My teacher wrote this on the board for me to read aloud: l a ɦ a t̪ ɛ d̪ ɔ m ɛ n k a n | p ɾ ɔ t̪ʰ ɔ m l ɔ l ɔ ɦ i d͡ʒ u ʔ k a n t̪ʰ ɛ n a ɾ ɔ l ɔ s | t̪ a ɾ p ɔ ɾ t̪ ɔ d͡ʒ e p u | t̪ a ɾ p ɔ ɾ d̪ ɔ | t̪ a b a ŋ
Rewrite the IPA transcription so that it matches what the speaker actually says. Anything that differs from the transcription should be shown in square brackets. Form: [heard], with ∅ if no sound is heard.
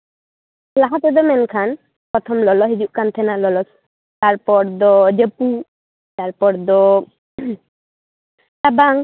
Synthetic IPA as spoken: l a ɦ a t̪ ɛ d̪ ɔ m ɛ n [kʰ] a n | p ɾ ɔ t̪ʰ ɔ m l ɔ l ɔ ɦ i d͡ʒ u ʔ k a n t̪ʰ ɛ n a [l] ɔ l ɔ s | t̪ a ɾ p ɔ ɾ [d̪] ɔ d͡ʒ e p u | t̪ a ɾ p ɔ ɾ d̪ ɔ | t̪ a b a ŋ